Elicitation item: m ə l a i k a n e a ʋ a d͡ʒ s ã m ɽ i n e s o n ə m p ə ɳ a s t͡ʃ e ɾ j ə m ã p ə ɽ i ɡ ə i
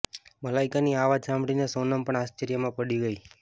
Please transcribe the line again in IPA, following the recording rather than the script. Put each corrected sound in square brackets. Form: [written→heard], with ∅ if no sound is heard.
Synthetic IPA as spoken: m ə l a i k a n [e→i] a ʋ a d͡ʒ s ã m ɽ i n e s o n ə m p ə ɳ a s t͡ʃ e ɾ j ə m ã p ə ɽ i ɡ ə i